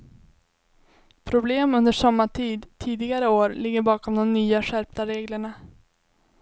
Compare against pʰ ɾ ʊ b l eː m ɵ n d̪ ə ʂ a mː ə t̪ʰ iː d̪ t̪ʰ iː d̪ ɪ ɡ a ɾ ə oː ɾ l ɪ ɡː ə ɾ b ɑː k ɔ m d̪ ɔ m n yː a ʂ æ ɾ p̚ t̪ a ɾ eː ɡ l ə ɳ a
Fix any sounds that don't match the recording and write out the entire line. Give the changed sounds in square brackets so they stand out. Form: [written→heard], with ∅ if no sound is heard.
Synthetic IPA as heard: pʰ ɾ ʊ b l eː m ɵ n d̪ ə ʂ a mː [ə→a] t̪ʰ iː d̪ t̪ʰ iː d̪ ɪ ɡ a ɾ ə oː ɾ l ɪ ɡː ə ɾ b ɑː k ɔ m d̪ ɔ m n yː a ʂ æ ɾ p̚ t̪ a ɾ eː ɡ l ə ɳ a